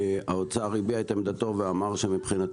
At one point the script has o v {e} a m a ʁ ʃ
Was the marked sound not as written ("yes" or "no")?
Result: no